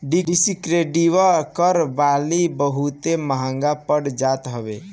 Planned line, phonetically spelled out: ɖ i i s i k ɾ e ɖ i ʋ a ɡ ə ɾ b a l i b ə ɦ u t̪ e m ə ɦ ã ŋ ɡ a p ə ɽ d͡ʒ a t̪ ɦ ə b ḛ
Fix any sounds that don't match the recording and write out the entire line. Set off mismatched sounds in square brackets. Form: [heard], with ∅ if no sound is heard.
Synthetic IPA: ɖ i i s i k ɾ e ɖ i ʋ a [k] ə ɾ b a l i b ə ɦ u t̪ e m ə ɦ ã ŋ ɡ a p ə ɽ d͡ʒ a t̪ ɦ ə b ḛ